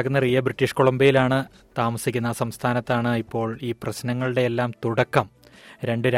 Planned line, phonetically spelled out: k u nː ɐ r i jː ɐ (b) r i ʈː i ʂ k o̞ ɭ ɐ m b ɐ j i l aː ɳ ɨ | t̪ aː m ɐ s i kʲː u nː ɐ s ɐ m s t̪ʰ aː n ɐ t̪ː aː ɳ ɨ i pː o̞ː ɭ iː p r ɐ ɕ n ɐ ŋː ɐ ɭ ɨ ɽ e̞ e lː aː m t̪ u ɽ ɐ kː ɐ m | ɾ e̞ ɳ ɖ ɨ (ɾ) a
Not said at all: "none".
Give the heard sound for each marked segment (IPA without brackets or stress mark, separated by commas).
b, ɾ